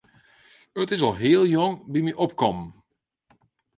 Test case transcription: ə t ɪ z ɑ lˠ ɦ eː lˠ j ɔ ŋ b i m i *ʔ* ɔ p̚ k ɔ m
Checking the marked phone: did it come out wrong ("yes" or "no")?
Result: no